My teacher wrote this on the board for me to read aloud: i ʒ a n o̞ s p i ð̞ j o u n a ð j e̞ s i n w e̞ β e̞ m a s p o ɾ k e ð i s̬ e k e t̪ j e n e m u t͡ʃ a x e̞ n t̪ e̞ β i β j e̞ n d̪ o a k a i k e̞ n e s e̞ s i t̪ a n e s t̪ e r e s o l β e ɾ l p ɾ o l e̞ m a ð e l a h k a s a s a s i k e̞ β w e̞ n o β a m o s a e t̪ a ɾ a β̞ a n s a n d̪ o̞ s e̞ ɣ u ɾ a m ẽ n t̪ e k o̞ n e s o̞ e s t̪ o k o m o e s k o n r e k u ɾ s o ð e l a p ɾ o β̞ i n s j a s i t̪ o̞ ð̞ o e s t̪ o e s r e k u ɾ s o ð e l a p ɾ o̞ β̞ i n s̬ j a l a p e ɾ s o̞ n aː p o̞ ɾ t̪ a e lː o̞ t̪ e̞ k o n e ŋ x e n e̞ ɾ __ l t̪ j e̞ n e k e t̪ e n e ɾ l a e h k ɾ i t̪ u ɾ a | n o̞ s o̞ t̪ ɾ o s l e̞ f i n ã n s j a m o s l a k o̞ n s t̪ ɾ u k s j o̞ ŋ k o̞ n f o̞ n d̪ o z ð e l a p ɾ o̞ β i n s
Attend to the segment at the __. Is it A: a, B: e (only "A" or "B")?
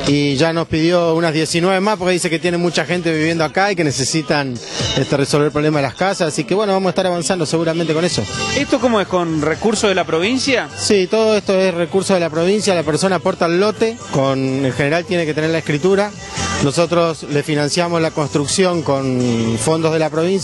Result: A